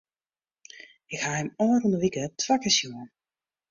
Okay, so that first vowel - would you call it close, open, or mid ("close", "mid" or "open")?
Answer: close